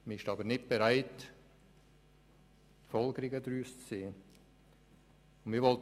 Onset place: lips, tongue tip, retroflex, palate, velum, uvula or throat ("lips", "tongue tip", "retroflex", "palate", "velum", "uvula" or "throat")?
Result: lips